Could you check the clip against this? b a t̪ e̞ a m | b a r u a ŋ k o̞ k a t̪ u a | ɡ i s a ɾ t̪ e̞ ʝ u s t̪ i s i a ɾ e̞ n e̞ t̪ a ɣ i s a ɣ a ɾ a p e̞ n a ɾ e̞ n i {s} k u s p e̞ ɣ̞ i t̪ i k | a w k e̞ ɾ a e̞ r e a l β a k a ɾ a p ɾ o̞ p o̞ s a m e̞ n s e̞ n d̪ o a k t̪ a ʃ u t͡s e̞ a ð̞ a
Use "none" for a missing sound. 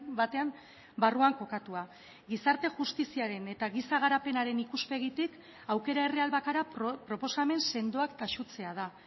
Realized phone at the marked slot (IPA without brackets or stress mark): none